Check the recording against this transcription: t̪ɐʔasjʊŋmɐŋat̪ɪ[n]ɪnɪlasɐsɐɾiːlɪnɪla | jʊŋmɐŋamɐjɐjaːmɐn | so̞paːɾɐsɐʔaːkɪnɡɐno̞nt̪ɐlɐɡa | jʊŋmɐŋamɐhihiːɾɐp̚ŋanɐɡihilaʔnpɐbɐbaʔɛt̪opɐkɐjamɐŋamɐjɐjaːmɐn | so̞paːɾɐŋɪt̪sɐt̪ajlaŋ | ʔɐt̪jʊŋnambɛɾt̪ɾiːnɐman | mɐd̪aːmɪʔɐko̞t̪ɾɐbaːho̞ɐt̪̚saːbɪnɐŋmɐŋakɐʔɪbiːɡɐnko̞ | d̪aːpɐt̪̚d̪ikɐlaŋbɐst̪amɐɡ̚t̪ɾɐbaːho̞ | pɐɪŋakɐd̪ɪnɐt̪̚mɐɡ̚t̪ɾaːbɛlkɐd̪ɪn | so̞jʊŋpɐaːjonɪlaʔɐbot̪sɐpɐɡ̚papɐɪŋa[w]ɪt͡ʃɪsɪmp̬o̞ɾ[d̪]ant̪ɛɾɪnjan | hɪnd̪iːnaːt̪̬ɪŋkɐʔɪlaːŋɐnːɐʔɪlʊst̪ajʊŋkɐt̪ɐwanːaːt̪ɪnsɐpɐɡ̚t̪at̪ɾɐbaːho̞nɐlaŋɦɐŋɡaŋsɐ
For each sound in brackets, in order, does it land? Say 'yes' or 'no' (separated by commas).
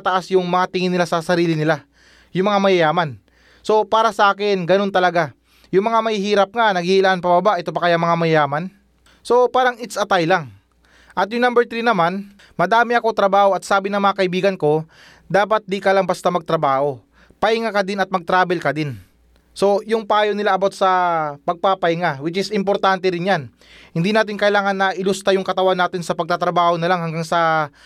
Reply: no, yes, no